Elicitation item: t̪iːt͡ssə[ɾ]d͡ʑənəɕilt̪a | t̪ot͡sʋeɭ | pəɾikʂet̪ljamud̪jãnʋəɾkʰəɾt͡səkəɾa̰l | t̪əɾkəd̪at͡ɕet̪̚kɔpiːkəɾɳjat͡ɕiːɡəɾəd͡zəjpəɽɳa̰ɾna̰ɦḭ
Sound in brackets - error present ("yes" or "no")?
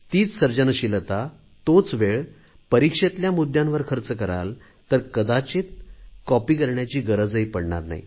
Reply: no